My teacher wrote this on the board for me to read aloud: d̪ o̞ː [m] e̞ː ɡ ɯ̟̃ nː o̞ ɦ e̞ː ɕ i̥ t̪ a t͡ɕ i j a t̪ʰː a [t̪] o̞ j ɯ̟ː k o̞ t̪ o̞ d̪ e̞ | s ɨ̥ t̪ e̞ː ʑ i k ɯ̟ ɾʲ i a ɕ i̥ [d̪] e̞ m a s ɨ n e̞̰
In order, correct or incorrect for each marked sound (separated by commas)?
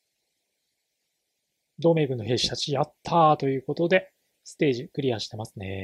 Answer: correct, correct, incorrect